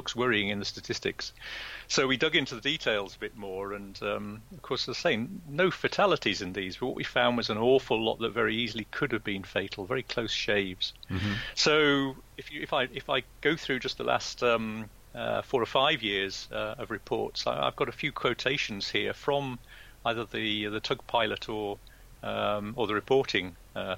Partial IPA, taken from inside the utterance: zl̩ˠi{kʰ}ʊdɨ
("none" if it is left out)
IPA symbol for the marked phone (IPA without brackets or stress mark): kʰ